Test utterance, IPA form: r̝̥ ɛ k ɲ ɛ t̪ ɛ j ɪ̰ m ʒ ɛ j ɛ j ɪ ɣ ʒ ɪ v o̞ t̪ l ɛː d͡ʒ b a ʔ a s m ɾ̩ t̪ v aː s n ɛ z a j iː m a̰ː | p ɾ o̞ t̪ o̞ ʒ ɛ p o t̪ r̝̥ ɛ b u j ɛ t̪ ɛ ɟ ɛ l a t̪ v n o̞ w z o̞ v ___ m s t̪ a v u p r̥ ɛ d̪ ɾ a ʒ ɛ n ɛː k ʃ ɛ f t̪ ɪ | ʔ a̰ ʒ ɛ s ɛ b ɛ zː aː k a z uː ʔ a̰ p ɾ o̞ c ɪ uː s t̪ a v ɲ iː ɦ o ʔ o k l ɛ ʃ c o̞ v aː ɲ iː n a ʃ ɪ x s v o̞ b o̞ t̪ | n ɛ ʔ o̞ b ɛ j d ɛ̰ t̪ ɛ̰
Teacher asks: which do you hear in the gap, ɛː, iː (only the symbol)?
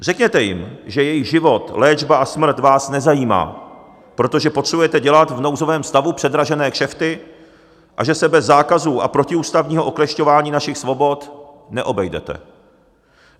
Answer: ɛː